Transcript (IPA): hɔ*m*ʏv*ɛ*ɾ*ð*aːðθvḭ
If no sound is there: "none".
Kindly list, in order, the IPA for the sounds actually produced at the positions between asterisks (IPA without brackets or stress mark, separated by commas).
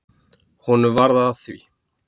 n, a, ð